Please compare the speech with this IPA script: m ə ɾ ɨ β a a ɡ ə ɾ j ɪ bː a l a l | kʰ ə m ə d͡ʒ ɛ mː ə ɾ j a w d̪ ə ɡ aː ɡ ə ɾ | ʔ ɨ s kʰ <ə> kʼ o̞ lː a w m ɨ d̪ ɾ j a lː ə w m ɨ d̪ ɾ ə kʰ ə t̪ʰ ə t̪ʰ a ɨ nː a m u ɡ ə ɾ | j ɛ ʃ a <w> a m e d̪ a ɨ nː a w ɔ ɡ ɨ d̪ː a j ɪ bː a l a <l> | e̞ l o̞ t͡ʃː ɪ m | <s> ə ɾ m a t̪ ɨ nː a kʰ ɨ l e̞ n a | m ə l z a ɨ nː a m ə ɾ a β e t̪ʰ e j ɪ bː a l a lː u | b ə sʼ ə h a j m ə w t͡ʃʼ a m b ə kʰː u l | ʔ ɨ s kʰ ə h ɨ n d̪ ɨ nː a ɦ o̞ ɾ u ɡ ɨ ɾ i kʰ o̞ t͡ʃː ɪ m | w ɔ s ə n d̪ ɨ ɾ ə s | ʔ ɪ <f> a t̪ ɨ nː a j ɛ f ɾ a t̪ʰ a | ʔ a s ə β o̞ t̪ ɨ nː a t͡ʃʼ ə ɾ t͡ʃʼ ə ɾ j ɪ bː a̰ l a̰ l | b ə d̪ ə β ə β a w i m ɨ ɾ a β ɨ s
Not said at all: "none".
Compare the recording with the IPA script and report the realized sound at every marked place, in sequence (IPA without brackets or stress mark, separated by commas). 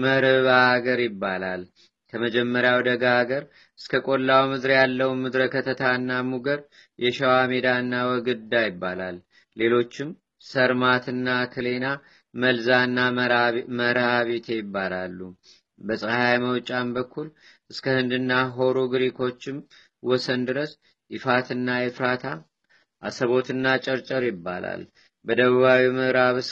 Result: ə, w, lː, s, f